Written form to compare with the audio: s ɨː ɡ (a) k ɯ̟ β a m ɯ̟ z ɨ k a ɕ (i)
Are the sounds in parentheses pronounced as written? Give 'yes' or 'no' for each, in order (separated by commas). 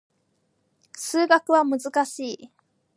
yes, no